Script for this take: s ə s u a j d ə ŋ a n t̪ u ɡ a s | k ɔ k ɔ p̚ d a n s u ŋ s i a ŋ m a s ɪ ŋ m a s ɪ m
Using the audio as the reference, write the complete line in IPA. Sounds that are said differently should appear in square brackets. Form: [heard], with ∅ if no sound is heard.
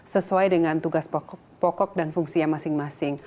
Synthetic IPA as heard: s ə s u a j d ə ŋ a n t̪ u ɡ a s | [p] ɔ k ɔ [k̚] d a n [f] u ŋ s i a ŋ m a s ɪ ŋ m a s ɪ [ŋ]